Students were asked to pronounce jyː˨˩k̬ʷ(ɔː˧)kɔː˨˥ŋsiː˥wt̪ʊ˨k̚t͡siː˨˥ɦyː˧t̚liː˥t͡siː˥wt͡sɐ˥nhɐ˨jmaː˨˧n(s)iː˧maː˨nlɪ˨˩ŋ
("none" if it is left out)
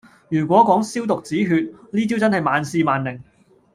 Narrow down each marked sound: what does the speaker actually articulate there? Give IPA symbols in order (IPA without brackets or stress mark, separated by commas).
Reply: ɔː˨˥, s